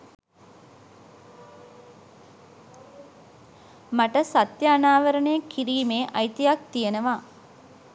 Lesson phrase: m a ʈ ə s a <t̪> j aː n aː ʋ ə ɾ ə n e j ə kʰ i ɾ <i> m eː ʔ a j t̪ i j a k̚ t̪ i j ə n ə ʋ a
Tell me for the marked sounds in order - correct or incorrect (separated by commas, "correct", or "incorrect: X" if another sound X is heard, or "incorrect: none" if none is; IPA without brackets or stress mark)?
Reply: correct, incorrect: iː